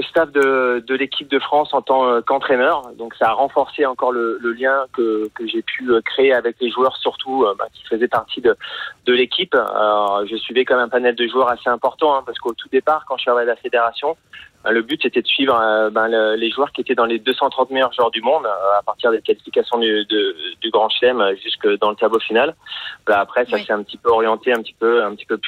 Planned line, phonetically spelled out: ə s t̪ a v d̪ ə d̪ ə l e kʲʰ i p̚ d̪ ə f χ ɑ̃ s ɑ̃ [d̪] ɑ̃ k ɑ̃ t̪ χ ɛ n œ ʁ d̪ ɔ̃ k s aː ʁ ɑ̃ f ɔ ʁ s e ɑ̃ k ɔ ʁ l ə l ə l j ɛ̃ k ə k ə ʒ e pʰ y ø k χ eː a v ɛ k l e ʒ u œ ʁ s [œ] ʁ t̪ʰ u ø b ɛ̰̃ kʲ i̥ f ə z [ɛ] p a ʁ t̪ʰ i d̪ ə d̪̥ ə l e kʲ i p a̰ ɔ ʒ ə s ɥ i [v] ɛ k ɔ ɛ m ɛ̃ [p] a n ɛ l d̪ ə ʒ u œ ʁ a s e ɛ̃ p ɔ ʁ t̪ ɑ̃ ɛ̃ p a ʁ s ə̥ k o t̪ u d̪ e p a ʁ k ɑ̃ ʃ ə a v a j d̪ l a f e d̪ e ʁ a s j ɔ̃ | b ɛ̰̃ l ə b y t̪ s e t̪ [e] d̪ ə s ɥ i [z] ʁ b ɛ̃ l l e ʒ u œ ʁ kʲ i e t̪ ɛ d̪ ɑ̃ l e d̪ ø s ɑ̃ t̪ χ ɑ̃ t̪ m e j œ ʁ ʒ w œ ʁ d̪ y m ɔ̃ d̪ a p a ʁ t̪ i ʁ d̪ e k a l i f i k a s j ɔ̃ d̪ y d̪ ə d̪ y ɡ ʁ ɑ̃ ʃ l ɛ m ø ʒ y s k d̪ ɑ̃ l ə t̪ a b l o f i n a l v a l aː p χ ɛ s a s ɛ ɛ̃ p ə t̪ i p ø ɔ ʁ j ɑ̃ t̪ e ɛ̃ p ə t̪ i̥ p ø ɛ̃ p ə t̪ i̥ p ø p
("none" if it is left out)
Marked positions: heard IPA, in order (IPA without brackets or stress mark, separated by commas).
t̪, y, ɛ, v, p, ɛ, v